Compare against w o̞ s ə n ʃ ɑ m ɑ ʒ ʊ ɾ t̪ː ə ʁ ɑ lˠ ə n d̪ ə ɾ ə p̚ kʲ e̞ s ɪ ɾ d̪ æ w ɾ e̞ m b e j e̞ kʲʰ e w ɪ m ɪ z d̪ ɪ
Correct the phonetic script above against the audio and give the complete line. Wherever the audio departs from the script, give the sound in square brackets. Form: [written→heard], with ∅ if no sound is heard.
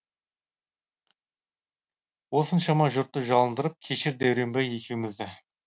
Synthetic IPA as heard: w o̞ s ə n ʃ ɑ m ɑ ʒ ʊ ɾ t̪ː ə [ʁ→ʒ] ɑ lˠ ə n d̪ ə ɾ ə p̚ [kʲ→kʲʰ] e̞ [s→ʃ] ɪ ɾ d̪ æ w ɾ e̞ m b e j e̞ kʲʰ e w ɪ m ɪ z d̪ ɪ